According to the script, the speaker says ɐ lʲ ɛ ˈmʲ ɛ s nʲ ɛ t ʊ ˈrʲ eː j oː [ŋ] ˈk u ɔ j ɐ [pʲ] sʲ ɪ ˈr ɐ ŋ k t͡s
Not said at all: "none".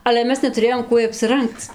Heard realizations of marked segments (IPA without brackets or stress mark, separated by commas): m, pʲ